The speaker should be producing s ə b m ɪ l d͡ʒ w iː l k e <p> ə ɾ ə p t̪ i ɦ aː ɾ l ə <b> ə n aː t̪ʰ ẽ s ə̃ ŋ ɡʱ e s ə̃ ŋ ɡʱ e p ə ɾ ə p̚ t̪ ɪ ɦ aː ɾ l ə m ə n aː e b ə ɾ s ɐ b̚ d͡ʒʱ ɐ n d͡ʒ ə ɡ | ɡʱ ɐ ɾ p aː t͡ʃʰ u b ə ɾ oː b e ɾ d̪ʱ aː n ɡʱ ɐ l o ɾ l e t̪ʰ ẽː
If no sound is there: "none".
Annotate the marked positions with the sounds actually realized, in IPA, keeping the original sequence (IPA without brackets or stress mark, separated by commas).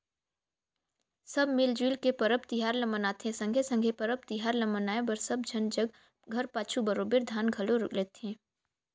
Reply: p, m